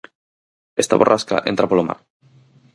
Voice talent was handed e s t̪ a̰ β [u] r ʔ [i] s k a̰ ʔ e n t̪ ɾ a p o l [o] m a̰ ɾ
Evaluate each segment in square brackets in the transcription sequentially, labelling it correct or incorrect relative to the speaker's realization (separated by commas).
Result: incorrect, incorrect, correct